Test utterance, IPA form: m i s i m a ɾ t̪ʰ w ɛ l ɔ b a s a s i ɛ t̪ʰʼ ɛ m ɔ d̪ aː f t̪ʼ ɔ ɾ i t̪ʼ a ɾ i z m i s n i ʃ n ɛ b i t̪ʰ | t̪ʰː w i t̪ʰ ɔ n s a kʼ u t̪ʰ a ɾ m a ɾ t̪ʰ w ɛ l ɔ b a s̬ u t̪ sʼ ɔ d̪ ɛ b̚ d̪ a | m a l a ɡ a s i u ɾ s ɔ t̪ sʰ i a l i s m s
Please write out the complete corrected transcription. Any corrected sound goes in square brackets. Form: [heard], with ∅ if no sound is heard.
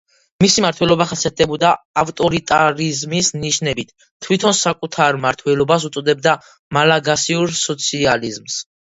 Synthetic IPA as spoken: m i s i m a ɾ t̪ʰ w ɛ l ɔ b a [χ] a s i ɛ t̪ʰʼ ɛ [b] ɔ d̪ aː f t̪ʼ ɔ ɾ i t̪ʼ a ɾ i z m i s n i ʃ n ɛ b i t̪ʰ | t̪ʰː w i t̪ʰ ɔ n s a kʼ u t̪ʰ a ɾ m a ɾ t̪ʰ w ɛ l ɔ b a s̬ u t̪ sʼ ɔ d̪ ɛ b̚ d̪ a | m a l a ɡ a s i u ɾ s ɔ t̪ sʰ i a l i [z] m s